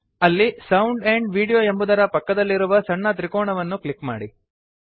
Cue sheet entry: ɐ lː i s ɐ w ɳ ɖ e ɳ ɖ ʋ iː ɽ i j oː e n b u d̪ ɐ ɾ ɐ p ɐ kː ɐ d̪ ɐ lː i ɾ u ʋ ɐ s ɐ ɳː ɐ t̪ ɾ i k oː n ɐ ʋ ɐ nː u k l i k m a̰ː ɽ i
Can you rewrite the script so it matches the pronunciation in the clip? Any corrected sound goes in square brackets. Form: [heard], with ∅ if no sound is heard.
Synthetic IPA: ɐ lː i s ɐ w ɳ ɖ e ɳ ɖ ʋ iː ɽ i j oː e [m] b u d̪ ɐ ɾ ɐ p ɐ kː ɐ d̪ ɐ lː i ɾ u ʋ ɐ s ɐ ɳː ɐ t̪ ɾ i k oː [ɳ] ɐ ʋ ɐ nː u k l i k m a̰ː ɽ i